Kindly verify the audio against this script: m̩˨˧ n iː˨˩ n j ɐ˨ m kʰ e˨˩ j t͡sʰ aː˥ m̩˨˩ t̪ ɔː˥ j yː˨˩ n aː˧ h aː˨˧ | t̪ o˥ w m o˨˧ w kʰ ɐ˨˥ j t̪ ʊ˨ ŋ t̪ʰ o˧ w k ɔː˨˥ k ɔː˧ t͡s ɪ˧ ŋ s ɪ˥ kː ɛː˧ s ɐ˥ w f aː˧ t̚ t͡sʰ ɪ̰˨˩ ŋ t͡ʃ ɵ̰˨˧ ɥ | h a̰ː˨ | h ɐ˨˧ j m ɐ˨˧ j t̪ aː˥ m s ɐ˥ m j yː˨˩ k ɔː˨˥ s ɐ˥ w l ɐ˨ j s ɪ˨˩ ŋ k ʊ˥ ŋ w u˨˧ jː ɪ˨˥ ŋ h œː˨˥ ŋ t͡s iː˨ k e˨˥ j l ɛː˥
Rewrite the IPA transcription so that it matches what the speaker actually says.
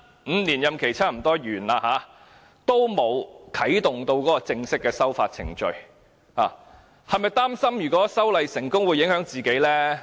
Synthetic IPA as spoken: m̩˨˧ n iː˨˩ n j ɐ˨ m kʰ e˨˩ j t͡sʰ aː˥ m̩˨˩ t̪ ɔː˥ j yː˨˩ n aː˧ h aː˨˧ | t̪ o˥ w m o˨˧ w kʰ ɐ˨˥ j t̪ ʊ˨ ŋ t̪ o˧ w k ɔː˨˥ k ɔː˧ t͡s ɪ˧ ŋ s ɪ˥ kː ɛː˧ s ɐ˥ w f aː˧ t̚ t͡sʰ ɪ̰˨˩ ŋ t͡ʃ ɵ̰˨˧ ɥ | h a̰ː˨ | h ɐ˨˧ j m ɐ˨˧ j t̪ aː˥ m s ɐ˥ m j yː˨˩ k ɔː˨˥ s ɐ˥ w l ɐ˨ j s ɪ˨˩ ŋ k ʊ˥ ŋ w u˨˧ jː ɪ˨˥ ŋ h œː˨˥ ŋ t͡s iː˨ k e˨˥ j l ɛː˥

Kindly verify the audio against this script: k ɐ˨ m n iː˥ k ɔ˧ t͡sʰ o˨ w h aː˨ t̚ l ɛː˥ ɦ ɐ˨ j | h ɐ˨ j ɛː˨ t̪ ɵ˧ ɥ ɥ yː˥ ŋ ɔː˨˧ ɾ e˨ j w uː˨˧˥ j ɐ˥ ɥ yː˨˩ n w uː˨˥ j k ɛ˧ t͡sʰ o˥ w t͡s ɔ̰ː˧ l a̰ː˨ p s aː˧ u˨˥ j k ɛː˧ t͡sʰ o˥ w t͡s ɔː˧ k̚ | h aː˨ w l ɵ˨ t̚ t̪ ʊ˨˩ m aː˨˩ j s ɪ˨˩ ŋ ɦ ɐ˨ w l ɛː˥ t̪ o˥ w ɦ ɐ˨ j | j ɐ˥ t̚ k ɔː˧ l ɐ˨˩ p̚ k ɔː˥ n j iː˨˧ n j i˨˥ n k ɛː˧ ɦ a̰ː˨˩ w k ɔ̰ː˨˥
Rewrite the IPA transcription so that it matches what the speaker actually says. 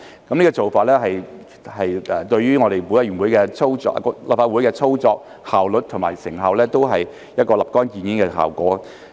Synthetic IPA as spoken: k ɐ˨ m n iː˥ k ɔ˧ t͡s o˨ w f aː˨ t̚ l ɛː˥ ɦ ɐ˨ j | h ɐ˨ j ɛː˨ t̪ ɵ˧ ɥ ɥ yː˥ ŋ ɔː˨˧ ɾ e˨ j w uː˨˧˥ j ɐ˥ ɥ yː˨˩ n w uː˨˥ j k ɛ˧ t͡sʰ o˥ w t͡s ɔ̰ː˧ l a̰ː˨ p f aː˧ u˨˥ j k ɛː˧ t͡sʰ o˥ w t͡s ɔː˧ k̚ | h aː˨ w l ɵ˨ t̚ t̪ʰ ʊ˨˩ m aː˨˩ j s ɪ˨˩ ŋ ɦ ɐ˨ w l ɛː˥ t̪ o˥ w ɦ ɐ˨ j | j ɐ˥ t̚ k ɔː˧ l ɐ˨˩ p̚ k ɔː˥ n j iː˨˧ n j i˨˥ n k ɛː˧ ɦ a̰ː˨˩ w k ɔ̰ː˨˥

